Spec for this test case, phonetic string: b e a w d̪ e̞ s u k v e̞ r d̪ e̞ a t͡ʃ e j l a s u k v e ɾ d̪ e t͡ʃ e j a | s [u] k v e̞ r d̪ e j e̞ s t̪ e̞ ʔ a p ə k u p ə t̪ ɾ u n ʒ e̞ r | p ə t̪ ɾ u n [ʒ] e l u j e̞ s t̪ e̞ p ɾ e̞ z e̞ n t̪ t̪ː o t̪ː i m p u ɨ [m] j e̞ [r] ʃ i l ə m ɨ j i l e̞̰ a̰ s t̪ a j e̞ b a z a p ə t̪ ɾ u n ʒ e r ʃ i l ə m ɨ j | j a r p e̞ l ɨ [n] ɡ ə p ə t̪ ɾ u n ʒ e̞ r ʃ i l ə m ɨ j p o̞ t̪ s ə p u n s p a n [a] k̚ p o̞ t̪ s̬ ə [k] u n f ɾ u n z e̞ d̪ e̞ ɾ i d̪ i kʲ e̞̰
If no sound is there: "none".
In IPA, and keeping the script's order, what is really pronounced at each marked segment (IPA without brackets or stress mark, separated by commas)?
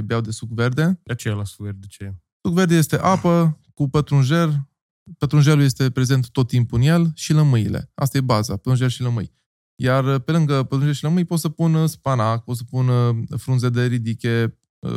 u, ʒ, n, l, ŋ, a, p